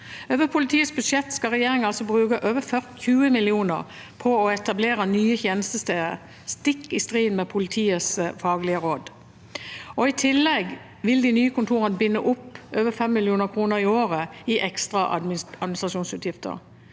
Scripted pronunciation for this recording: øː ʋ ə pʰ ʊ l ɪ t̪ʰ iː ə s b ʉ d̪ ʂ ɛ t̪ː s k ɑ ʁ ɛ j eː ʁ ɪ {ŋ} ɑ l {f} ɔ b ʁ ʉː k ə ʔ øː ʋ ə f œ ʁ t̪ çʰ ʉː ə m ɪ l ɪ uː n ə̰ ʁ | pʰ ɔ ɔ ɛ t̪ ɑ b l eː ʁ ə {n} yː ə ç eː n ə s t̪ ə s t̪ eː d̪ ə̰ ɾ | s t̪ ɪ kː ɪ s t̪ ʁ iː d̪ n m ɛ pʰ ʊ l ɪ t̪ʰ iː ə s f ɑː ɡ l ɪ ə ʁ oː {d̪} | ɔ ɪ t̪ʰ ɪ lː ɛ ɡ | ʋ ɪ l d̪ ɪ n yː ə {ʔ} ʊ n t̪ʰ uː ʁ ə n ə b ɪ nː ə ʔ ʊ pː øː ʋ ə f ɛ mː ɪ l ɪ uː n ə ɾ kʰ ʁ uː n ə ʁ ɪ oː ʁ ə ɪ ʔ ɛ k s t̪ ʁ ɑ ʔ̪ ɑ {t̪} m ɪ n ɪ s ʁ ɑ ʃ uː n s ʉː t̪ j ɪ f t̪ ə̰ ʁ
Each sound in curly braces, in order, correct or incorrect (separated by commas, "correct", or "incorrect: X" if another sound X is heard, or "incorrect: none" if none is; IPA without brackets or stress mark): correct, incorrect: s, correct, correct, incorrect: k, incorrect: d̪